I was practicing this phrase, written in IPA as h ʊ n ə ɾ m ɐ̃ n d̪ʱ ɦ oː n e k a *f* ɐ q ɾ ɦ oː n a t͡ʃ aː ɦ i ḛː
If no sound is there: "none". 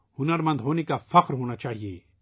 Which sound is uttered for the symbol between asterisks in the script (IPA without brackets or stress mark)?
f